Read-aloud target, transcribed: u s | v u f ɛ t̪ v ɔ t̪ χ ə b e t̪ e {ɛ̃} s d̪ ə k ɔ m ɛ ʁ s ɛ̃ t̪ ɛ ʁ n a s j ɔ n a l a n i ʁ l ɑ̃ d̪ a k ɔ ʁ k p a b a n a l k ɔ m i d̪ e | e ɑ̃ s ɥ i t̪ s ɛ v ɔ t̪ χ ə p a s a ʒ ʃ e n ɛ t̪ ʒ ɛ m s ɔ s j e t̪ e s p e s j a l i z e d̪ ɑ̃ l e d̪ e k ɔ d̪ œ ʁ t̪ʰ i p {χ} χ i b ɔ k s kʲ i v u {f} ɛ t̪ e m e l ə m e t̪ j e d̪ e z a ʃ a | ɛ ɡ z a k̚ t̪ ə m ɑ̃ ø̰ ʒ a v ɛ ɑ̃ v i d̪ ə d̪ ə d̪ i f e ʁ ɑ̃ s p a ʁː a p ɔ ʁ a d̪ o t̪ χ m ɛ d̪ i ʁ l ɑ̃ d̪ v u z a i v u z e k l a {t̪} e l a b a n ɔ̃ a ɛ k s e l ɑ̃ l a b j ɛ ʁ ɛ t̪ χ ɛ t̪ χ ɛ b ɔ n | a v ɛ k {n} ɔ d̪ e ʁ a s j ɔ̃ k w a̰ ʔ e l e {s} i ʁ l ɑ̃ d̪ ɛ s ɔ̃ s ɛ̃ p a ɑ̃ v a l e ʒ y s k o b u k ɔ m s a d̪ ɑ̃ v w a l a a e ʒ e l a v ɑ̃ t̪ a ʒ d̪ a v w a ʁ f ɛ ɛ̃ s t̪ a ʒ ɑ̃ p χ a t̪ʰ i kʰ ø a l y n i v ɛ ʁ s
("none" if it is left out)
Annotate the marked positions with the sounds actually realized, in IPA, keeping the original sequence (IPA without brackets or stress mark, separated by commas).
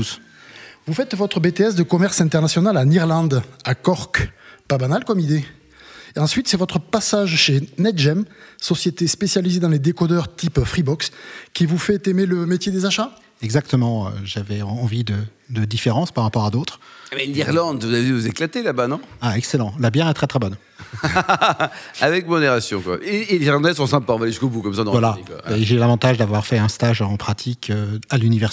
ɛ, f, f, t̪, m, z